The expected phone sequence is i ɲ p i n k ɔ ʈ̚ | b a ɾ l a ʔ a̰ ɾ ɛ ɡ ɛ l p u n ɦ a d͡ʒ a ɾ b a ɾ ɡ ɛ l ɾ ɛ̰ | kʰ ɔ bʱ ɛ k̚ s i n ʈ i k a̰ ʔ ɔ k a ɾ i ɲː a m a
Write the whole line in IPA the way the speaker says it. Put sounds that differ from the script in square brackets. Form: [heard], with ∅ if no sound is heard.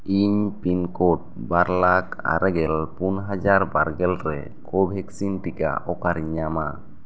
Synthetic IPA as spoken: i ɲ p i n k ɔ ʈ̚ | b a ɾ l a [k] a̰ ɾ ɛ ɡ ɛ l p u n ɦ a d͡ʒ a ɾ b a ɾ ɡ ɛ l ɾ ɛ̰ | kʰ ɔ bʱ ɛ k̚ s i n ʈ i k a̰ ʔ ɔ k a ɾ i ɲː a m a